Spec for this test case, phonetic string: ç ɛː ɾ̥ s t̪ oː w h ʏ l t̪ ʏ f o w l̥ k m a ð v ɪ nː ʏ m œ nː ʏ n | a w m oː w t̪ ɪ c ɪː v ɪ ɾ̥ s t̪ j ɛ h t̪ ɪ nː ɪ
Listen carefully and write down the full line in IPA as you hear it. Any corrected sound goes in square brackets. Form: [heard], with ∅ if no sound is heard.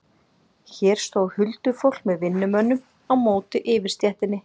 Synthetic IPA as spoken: ç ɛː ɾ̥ s t̪ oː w h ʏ l t̪ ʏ f o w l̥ k m [ɛ] ð v ɪ nː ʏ m œ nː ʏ [m] | a w m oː w t̪ ɪ [ʔ] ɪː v ɪ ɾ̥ s t̪ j ɛ h t̪ ɪ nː ɪ